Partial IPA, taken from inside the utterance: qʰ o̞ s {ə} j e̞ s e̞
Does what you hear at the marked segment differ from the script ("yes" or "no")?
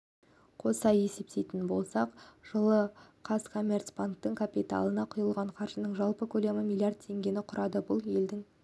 yes